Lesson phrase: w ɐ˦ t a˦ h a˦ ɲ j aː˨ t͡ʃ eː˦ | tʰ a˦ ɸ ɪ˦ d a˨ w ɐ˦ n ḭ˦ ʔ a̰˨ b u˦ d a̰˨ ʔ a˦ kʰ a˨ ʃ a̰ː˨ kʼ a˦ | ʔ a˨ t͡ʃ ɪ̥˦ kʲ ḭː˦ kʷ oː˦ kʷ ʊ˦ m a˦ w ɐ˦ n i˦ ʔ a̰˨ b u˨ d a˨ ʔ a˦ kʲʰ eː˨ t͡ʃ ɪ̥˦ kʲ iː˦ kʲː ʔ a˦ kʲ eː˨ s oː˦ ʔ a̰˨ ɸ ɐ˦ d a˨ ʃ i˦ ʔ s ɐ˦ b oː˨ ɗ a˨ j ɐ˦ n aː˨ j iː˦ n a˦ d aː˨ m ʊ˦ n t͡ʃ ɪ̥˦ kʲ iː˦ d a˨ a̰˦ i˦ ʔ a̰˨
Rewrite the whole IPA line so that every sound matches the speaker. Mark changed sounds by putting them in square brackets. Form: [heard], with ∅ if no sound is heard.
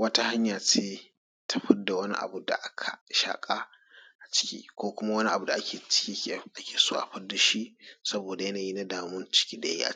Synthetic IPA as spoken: w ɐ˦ t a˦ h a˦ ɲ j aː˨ t͡ʃ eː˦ | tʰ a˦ ɸ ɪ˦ d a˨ w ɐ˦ n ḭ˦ ʔ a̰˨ b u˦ d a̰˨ ʔ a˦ kʰ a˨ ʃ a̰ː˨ kʼ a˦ | ʔ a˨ t͡ʃ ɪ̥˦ kʲ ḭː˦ kʷ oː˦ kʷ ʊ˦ m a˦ w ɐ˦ n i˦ ʔ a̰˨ b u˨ d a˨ ʔ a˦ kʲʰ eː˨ t͡ʃ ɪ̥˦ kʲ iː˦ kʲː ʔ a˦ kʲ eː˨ s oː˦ ʔ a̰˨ ɸ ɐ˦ d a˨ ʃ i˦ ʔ s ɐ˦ b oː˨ [d] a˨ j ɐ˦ n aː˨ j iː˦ n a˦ d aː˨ m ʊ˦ n t͡ʃ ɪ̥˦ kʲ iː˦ d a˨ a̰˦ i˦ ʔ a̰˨